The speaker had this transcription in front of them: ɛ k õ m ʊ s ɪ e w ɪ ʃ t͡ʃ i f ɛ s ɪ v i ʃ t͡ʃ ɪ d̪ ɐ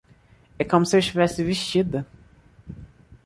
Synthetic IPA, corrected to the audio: ɛ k õ m ʊ s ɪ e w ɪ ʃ t͡ʃ i v ɛ s ɪ v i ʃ t͡ʃ i d̪ ɐ